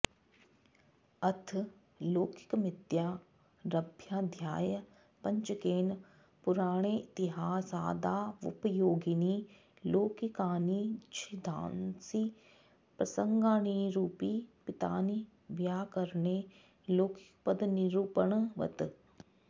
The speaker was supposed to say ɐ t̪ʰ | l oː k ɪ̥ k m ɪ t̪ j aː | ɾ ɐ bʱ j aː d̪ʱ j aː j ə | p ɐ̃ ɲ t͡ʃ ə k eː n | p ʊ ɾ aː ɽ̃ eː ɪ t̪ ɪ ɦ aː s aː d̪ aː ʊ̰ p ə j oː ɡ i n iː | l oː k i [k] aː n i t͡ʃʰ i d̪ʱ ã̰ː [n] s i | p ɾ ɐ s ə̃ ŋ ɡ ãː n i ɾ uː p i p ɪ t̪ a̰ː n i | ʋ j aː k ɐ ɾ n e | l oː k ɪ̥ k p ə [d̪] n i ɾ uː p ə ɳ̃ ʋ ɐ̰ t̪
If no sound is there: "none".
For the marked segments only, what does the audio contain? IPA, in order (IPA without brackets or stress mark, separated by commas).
k, n, d̪